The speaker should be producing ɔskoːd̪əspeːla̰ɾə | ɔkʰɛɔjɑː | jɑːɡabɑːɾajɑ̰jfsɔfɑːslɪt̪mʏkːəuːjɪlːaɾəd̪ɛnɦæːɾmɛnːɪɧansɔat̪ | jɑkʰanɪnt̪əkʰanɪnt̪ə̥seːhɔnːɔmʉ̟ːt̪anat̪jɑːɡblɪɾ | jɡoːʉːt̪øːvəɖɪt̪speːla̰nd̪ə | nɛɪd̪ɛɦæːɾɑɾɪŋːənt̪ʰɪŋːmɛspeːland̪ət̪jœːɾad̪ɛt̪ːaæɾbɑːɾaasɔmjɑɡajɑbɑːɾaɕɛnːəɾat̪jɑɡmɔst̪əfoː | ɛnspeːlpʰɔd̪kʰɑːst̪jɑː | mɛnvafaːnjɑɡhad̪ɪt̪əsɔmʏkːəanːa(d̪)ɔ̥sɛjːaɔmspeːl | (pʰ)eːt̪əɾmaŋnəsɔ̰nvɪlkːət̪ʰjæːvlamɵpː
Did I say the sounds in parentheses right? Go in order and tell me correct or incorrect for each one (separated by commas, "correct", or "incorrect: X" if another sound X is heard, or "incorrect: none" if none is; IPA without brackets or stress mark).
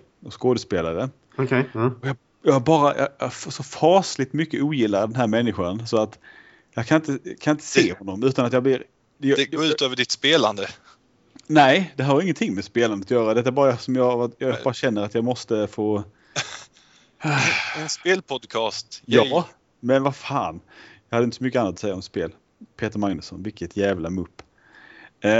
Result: incorrect: t̪, correct